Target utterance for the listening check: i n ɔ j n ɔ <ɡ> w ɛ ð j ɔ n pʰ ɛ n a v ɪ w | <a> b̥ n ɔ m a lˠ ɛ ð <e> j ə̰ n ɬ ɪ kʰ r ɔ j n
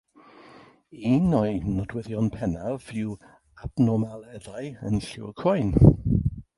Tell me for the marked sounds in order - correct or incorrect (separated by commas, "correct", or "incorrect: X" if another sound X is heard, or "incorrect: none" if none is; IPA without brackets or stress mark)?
incorrect: d, correct, incorrect: a